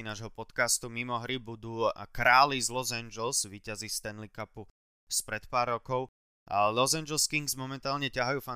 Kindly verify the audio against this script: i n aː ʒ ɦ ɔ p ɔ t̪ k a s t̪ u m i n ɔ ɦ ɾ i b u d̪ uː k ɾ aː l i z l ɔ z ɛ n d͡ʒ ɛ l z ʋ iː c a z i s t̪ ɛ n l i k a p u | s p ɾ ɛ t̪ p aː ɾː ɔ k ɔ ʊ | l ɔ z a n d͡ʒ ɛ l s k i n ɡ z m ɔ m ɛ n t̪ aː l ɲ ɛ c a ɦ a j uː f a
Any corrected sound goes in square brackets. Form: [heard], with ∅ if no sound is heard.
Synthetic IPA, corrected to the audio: i n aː ʒ ɦ ɔ p ɔ t̪ k a s t̪ u m i [m] ɔ ɦ ɾ i b u d̪ uː k ɾ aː l i z l ɔ z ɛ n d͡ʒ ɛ l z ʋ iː c a z i s t̪ ɛ n l i k a p u | s p ɾ ɛ t̪ p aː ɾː ɔ k ɔ ʊ | l ɔ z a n d͡ʒ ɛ l s k i [ŋ] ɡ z m ɔ m ɛ n t̪ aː l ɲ ɛ c a ɦ a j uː f a